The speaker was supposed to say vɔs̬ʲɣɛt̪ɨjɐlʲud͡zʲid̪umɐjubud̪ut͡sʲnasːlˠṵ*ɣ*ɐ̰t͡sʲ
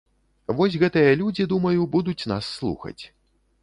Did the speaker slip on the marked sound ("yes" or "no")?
yes